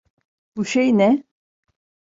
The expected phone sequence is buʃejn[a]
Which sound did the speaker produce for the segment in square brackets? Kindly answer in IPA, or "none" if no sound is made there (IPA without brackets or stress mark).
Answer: ɛ